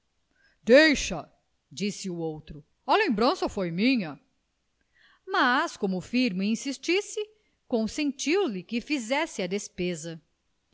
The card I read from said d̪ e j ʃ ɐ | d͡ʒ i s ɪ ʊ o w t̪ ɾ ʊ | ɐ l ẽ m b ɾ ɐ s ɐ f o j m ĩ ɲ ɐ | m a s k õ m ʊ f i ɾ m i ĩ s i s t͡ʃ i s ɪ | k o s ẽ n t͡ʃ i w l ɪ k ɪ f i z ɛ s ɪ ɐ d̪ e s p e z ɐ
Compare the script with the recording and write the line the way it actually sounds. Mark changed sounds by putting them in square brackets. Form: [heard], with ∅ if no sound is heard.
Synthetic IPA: d̪ e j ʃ ɐ | d͡ʒ i s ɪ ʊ o w t̪ ɾ ʊ | ɐ l ẽ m b ɾ [ɐ̃] s ɐ f o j m ĩ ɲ ɐ | m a s k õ m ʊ f i ɾ m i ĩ s i s t͡ʃ i s ɪ | k [õ] s ẽ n t͡ʃ i w l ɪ k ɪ f i z ɛ s ɪ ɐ d̪ e s p e z ɐ